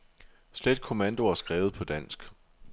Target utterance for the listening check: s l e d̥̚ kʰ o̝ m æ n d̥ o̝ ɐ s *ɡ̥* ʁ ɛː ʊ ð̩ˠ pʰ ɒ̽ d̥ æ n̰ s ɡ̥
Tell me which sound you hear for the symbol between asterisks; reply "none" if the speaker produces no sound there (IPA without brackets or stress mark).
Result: ɡ̥